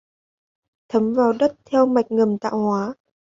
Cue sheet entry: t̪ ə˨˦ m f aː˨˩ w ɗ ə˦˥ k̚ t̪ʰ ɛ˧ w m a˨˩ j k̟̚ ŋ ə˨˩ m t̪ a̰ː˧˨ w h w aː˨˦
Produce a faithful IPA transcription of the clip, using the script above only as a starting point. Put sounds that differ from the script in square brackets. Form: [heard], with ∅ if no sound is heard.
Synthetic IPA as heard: [t̪ʰ] ə˨˦ m [v] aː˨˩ w ɗ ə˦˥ [t̚] t̪ʰ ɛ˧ w m a˨˩ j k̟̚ ŋ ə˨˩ m t̪ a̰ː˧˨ w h w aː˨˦